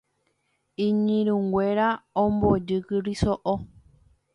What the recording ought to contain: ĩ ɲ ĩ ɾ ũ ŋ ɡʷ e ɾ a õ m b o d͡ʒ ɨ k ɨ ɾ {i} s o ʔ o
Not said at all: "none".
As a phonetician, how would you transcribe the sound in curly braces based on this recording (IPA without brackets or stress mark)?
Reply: i